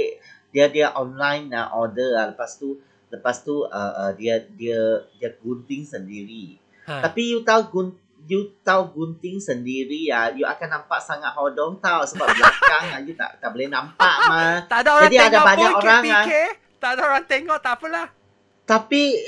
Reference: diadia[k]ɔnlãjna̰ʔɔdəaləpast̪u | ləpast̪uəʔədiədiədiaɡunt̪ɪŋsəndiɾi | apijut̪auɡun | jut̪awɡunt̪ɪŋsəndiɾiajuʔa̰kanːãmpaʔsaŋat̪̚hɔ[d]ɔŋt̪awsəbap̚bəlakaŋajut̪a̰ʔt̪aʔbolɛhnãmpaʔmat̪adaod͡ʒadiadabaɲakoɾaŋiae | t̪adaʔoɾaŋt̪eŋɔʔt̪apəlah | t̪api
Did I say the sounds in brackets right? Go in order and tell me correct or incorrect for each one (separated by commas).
incorrect, correct